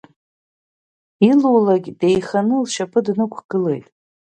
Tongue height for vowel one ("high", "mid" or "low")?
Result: high